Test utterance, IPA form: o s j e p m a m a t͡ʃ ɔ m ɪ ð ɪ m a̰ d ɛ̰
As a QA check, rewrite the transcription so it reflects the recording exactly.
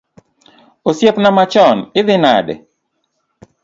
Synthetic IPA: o s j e p n a m a t͡ʃ ɔ n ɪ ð ɪ n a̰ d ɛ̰